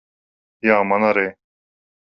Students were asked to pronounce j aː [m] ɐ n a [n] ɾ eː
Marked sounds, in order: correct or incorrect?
correct, incorrect: none

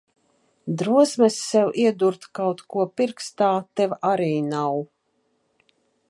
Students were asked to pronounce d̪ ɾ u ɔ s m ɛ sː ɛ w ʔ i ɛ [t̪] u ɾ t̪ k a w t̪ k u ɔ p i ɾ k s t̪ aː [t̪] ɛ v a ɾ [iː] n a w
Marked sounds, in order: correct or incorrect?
incorrect: d̪, correct, correct

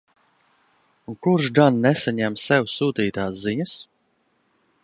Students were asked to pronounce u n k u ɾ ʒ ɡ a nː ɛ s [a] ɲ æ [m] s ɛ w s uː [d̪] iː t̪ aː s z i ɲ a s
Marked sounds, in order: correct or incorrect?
correct, correct, incorrect: t̪

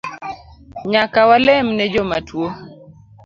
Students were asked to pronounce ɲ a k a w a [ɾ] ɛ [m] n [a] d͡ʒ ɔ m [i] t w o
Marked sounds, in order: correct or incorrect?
incorrect: l, correct, incorrect: ɛ, incorrect: a

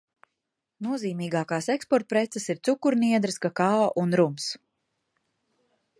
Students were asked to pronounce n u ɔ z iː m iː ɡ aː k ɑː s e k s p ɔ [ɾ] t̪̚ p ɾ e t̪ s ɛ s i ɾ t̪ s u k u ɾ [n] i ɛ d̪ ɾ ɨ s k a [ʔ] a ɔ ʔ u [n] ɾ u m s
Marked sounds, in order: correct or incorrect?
correct, correct, incorrect: k, correct

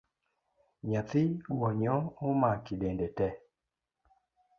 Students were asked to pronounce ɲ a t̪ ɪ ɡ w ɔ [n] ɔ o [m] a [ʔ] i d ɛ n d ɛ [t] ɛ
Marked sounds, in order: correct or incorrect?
incorrect: ɲ, correct, incorrect: k, correct

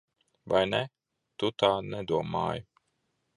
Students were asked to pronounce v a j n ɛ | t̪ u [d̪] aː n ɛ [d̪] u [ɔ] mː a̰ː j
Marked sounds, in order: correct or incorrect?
incorrect: t̪, correct, correct

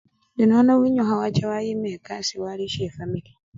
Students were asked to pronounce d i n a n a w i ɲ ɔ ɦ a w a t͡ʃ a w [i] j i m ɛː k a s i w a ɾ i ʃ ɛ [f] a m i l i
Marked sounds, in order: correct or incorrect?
incorrect: a, correct

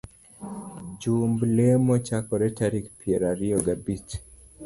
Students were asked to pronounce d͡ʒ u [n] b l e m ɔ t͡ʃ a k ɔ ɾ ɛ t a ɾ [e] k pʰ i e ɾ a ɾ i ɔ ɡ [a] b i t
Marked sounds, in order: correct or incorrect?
incorrect: m, incorrect: i, correct

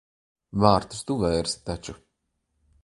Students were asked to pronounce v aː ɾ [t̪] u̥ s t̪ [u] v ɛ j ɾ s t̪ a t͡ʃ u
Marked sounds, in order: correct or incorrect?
correct, correct

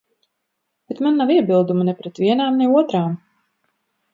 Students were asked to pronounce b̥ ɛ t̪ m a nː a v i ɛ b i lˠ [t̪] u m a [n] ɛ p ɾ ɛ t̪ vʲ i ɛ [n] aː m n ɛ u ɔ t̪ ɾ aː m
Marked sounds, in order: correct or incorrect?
incorrect: d̪, correct, correct

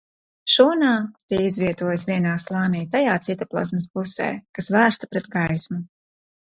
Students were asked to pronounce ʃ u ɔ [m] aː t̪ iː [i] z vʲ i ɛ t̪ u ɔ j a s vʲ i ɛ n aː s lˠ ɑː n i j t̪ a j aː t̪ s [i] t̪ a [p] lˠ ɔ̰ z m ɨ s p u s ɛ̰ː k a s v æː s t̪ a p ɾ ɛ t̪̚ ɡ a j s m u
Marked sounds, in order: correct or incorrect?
incorrect: n, correct, correct, correct

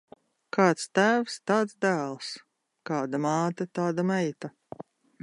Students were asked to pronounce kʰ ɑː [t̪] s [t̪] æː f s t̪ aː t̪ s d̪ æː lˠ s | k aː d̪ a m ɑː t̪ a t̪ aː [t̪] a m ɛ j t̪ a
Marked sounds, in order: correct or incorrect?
correct, correct, incorrect: d̪

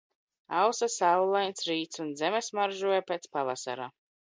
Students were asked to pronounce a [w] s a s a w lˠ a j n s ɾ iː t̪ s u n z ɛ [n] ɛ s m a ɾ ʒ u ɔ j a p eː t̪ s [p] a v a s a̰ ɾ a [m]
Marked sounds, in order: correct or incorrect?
correct, incorrect: m, correct, incorrect: none

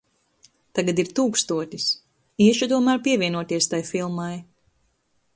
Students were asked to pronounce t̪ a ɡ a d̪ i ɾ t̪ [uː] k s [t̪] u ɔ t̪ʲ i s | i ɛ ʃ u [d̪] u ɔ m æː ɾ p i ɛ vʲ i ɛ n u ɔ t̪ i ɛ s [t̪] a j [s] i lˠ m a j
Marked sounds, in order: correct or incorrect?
correct, correct, incorrect: t̪, correct, incorrect: f

